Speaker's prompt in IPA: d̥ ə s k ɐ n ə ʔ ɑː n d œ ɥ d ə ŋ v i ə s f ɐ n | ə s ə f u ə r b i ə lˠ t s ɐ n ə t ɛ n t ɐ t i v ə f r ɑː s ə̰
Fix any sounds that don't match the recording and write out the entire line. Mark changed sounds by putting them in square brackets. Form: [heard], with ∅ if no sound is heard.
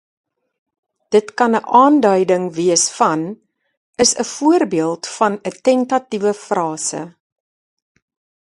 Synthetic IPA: d̥ ə [t] k ɐ n ə ʔ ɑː n d œ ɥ d ə ŋ v i ə s f ɐ n | ə s ə f u ə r b i ə lˠ t [f] ɐ n ə t ɛ n t ɐ t i v ə f r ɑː s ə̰

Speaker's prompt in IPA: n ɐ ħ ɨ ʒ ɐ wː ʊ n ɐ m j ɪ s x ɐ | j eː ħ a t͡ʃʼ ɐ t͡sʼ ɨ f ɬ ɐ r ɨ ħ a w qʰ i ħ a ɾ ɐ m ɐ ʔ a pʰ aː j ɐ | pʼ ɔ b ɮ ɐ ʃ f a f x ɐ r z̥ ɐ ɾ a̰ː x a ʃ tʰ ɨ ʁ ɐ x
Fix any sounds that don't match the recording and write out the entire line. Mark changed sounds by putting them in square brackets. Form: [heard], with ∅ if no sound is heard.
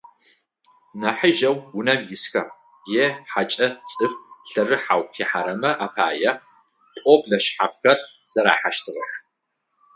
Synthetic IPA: n ɐ ħ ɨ ʒ ɐ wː ʊ n ɐ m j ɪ s x ɐ | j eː ħ a t͡ʃʼ ɐ t͡sʼ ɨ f ɬ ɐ r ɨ ħ a w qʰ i ħ a ɾ ɐ m ɐ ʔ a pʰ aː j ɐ | pʼ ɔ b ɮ ɐ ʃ [ħ] a f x ɐ r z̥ ɐ ɾ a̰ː [ħ] a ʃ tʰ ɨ ʁ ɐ x

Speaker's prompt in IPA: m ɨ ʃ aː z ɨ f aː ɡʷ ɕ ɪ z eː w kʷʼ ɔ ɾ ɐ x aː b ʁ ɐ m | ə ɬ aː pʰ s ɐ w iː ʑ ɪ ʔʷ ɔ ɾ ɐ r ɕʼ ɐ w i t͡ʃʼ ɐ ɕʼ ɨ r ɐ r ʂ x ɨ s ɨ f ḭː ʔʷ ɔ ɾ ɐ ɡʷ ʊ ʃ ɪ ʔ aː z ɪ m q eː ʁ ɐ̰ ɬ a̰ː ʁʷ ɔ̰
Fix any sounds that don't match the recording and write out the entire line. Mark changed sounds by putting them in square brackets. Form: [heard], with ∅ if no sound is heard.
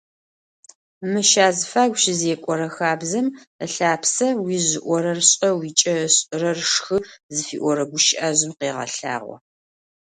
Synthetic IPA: m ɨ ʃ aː z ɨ f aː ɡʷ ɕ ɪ z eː [∅] kʷʼ ɔ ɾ ɐ x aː b [z] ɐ m | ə ɬ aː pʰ s ɐ w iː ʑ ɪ ʔʷ ɔ ɾ ɐ r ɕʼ ɐ w i t͡ʃʼ ɐ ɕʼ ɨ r ɐ r ʂ x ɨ [z] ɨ f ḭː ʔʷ ɔ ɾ ɐ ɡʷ ʊ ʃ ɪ ʔ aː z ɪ m q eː ʁ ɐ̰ ɬ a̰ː ʁʷ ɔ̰

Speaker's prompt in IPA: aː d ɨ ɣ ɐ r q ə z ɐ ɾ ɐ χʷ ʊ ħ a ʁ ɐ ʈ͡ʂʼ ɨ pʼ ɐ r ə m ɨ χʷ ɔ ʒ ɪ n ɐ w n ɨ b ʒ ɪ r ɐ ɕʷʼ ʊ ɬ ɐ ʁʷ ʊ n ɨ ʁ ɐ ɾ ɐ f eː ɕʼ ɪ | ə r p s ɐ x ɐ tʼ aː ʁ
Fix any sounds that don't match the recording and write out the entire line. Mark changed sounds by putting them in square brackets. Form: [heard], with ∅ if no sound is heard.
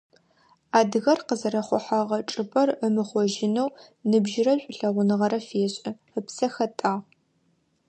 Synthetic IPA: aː d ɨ ɣ ɐ r q ə z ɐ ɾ ɐ χʷ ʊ ħ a ʁ ɐ ʈ͡ʂʼ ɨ pʼ ɐ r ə m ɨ χʷ ɔ ʒ ɪ n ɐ w n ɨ b ʒ ɪ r ɐ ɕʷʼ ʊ ɬ ɐ ʁʷ ʊ n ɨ ʁ ɐ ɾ ɐ f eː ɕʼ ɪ | ə [∅] p s ɐ x ɐ tʼ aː ʁ

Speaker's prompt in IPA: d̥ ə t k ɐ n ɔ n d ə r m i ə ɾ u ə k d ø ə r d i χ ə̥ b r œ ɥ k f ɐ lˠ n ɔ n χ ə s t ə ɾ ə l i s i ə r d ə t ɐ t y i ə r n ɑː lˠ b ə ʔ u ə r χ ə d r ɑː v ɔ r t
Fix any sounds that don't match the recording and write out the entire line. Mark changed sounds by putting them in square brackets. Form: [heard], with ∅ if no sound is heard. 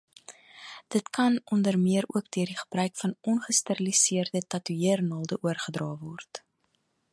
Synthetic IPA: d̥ ə t k ɐ n ɔ n d ə r m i ə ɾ u ə k d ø ə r d i χ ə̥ b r œ ɥ k f ɐ [∅] n ɔ n χ ə s t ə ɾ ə l i s i ə r d ə t ɐ t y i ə r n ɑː lˠ [d] ə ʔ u ə r χ ə d r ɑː v ɔ r t

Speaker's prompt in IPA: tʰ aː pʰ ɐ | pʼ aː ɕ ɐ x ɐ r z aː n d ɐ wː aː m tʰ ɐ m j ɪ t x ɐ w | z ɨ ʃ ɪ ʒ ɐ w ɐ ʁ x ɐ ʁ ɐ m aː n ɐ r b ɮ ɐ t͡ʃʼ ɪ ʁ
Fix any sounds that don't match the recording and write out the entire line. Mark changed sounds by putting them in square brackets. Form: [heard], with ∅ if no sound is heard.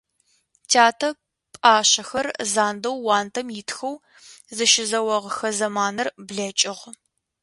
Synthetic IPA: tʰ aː [tʰ] ɐ | pʼ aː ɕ ɐ x ɐ r z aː n d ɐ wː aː [n] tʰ ɐ m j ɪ t x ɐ w | z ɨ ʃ ɪ [z] ɐ w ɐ ʁ x ɐ [z] ɐ m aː n ɐ r b ɮ ɐ t͡ʃʼ ɪ ʁ

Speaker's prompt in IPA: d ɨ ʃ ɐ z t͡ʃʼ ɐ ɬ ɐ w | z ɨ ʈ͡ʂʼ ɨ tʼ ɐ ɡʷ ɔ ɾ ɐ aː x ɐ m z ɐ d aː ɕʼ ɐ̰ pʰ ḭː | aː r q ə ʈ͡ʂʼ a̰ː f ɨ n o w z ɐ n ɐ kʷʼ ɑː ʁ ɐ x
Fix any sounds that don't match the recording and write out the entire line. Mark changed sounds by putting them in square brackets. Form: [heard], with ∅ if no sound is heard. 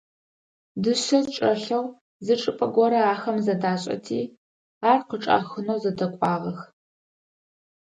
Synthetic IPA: d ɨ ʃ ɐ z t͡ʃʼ ɐ ɬ ɐ w | z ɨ ʈ͡ʂʼ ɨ [pʼ] ɐ ɡʷ ɔ ɾ ɐ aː x ɐ m z ɐ d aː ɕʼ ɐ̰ [tʰ] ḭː | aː r q ə ʈ͡ʂʼ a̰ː [x] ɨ n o w z ɐ [d] ɐ kʷʼ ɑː ʁ ɐ x

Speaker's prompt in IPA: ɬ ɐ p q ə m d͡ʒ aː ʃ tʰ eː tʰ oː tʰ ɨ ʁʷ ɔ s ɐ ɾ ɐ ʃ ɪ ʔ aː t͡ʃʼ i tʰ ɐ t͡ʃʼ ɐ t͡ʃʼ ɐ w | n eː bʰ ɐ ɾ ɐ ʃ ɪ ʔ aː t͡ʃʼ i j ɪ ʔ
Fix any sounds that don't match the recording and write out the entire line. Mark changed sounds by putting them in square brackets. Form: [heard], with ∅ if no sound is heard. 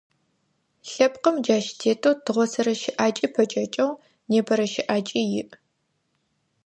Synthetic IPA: ɬ ɐ p q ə m d͡ʒ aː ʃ tʰ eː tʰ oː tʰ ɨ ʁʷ ɔ s ɐ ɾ ɐ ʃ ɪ ʔ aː t͡ʃʼ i [pʰ] ɐ t͡ʃʼ ɐ t͡ʃʼ ɐ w | n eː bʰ ɐ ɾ ɐ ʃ ɪ ʔ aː t͡ʃʼ i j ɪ ʔ

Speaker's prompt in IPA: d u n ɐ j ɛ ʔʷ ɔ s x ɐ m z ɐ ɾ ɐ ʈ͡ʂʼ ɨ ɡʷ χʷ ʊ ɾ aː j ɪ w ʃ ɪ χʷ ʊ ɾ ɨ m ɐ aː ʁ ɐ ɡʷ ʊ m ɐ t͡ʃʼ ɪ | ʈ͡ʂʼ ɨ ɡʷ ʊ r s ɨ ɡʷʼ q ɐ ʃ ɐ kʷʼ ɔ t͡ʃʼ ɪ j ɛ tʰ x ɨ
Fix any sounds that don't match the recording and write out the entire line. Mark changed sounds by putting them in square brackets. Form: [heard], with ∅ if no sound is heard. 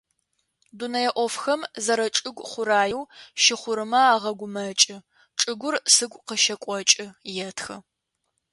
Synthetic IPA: d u n ɐ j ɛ ʔʷ ɔ [f] x ɐ m z ɐ ɾ ɐ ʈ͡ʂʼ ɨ ɡʷ χʷ ʊ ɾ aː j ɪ w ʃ ɪ χʷ ʊ ɾ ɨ m ɐ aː ʁ ɐ ɡʷ ʊ m ɐ t͡ʃʼ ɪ | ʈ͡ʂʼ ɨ ɡʷ ʊ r s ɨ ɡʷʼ q [ə] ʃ ɐ kʷʼ ɔ t͡ʃʼ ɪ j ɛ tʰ x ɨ

